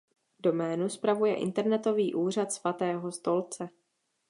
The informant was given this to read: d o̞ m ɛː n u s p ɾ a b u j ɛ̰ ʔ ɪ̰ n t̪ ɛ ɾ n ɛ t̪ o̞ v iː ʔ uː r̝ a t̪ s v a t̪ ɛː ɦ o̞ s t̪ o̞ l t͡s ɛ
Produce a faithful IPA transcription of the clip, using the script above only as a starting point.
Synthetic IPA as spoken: d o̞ m ɛː n u s p ɾ a v u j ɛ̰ ʔ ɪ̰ n t̪ ɛ ɾ n ɛ t̪ o̞ v iː ʔ uː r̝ a t̪ s v a t̪ ɛː ɦ o̞ s t̪ o̞ l t͡s ɛ